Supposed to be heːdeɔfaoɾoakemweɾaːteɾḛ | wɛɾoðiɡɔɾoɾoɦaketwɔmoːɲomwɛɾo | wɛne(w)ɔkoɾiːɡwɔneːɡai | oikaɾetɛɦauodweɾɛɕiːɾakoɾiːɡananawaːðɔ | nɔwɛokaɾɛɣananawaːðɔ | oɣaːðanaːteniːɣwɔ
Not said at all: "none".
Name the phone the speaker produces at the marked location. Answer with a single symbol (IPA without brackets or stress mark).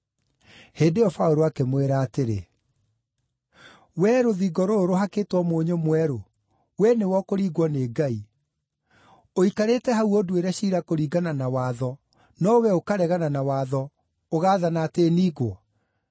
w